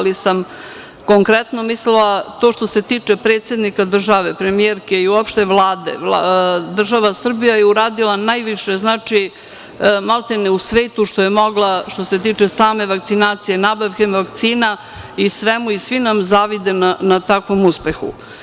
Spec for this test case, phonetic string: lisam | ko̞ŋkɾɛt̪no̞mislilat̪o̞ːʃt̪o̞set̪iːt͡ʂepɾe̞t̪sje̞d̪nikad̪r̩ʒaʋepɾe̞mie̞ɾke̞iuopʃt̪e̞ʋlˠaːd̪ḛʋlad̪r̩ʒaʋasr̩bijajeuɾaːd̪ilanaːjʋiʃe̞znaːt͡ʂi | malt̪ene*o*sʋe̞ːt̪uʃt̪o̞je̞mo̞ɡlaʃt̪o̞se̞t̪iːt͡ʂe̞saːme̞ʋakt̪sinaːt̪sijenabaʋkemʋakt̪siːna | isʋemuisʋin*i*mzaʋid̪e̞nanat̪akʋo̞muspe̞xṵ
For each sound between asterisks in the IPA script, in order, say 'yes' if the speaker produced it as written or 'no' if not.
no, no

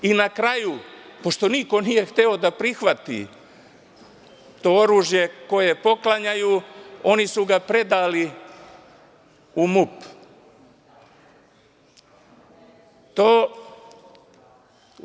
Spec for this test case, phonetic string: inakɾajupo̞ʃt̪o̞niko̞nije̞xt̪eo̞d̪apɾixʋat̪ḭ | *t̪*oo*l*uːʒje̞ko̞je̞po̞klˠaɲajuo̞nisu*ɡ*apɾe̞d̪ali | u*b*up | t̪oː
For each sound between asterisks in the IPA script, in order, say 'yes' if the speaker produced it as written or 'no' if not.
yes, no, yes, no

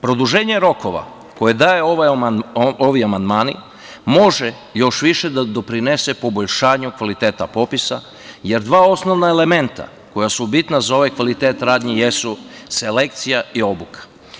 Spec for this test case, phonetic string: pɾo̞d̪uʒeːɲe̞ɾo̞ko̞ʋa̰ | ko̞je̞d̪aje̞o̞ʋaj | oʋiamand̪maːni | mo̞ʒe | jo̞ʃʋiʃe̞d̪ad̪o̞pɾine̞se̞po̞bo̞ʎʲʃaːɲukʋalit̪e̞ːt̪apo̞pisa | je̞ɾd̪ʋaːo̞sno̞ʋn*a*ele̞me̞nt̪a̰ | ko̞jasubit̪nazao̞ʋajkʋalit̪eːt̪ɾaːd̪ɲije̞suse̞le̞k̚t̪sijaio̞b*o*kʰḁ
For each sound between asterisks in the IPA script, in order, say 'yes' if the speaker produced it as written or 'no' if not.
yes, no

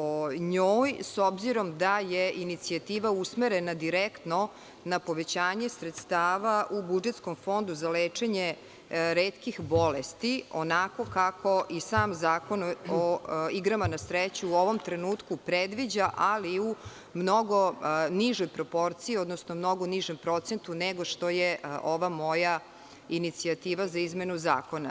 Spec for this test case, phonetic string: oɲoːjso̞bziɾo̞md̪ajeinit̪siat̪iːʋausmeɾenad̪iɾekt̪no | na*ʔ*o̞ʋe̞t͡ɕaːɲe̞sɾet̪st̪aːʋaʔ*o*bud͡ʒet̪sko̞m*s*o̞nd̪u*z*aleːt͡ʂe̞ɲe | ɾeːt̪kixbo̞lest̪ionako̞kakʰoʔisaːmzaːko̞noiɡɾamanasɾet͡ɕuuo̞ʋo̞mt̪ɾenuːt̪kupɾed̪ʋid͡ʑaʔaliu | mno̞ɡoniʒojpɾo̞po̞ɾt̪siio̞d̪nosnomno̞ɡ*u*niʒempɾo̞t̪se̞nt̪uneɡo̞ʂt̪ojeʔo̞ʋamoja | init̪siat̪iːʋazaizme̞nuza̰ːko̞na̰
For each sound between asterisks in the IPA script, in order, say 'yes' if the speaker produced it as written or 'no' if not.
no, no, no, yes, no

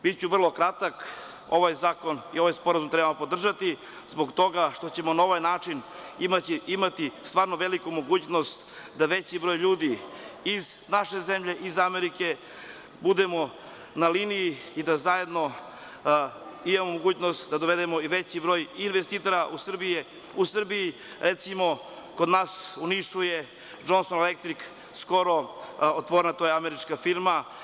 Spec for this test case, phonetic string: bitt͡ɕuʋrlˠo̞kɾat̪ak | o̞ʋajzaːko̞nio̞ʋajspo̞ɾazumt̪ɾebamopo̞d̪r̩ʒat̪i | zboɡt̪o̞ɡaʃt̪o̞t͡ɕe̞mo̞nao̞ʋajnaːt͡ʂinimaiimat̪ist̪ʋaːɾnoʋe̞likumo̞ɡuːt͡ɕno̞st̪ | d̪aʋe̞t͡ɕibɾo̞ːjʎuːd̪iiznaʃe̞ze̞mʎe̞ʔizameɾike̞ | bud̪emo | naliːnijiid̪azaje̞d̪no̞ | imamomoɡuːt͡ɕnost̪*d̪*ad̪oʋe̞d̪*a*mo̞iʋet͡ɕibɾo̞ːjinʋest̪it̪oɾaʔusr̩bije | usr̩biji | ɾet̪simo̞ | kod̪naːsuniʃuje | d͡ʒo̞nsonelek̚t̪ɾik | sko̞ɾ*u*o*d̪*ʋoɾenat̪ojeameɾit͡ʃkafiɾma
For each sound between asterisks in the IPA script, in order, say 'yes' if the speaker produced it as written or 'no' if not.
yes, no, no, no

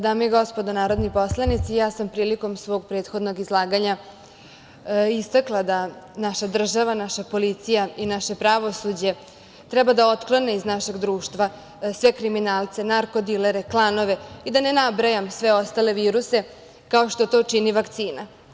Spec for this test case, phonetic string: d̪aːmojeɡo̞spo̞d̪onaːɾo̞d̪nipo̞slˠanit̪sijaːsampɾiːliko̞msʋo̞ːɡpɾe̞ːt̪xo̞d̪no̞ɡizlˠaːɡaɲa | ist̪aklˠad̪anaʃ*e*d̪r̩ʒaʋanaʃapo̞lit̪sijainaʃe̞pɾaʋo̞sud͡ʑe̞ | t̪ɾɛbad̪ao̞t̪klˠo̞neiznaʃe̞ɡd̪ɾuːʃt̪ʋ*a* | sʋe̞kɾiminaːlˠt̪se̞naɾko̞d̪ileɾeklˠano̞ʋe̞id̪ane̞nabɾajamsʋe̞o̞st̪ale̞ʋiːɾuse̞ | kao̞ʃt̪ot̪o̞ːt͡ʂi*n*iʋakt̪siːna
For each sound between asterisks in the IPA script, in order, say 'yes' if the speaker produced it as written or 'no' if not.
no, yes, yes

